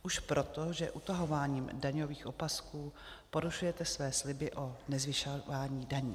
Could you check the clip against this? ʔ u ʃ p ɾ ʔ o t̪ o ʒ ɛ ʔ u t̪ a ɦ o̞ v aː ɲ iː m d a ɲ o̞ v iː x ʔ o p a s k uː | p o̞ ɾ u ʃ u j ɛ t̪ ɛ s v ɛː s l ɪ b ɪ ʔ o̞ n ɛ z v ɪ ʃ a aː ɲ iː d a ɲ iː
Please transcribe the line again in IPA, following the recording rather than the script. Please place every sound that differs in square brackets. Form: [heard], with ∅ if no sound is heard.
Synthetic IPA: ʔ u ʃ p ɾ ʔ o t̪ o ʒ ɛ ʔ u t̪ a ɦ o̞ v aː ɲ iː m d a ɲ o̞ v iː x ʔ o p a s k uː | p o̞ ɾ u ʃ u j ɛ t̪ ɛ s v ɛː s l ɪ b ɪ ʔ o̞ n ɛ z v ɪ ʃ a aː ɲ iː d a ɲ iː